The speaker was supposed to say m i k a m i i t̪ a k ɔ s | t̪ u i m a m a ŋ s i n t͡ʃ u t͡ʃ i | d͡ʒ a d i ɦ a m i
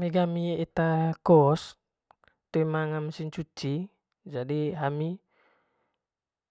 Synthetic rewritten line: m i ɡ a m i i t̪ a k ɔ s | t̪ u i m a ŋ a m s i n t͡ʃ u t͡ʃ i | d͡ʒ a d i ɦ a m i